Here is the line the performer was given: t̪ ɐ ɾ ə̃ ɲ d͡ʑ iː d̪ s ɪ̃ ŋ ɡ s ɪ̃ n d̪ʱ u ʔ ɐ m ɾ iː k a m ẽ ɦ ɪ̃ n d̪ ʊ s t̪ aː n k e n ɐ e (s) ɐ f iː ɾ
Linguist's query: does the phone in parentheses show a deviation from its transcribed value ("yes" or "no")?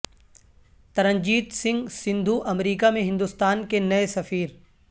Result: no